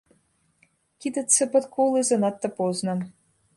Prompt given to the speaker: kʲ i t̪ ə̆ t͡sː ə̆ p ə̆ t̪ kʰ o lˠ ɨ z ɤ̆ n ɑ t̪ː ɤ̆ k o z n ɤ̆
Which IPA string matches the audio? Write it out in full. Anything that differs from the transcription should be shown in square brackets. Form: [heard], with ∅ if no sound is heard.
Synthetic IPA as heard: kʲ i [d̪] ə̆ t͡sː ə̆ p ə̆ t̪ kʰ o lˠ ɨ z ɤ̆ n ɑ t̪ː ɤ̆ [p] o z n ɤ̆